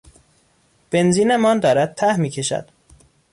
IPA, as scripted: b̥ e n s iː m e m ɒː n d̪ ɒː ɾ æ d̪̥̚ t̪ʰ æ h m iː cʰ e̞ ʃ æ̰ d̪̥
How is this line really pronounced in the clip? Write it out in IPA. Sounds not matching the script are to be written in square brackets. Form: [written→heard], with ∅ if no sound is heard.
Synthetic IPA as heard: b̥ e n [s→z] iː [m→n] e m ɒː n d̪ ɒː ɾ æ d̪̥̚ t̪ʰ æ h m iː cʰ e̞ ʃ æ̰ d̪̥